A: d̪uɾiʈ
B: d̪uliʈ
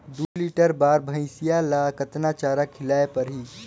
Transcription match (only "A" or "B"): B